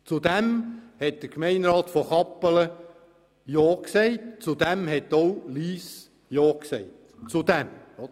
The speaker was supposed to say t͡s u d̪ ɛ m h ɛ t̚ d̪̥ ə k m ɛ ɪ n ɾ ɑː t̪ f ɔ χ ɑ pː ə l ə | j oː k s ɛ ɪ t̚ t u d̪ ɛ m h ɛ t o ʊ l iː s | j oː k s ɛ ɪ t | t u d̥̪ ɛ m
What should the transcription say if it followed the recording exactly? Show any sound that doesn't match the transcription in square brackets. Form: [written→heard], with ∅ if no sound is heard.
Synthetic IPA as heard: t͡s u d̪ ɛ m h ɛ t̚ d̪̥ ə k m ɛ ɪ n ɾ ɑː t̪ f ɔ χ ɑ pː ə l ə | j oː k s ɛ ɪ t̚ [t→t͡s] u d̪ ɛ m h ɛ t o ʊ l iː s | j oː k s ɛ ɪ t | [t→t͡s] u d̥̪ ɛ m